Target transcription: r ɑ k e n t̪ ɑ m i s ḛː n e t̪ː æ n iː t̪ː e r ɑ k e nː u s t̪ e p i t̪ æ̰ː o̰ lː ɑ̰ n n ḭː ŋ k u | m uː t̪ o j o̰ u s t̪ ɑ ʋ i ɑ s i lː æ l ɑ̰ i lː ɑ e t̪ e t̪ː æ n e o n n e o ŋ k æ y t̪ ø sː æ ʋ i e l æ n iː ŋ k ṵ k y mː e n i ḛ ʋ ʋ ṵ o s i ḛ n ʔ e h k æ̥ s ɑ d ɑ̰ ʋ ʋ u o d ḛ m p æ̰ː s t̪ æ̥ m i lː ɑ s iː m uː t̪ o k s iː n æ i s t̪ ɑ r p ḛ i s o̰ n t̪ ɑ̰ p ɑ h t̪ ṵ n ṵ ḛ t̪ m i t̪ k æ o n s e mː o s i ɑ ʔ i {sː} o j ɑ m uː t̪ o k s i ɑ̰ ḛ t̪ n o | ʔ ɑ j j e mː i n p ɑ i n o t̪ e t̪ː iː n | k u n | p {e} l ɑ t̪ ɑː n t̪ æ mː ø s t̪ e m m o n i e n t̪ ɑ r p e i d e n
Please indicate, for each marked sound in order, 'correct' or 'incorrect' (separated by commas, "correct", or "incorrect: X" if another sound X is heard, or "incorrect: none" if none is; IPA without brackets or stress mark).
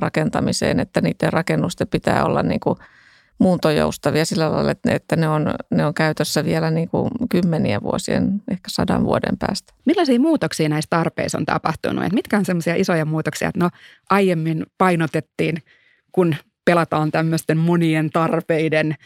incorrect: s, correct